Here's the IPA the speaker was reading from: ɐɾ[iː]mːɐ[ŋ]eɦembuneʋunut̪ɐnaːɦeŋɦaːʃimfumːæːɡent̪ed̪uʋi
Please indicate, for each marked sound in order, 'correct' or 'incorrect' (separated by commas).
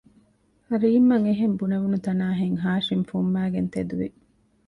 correct, correct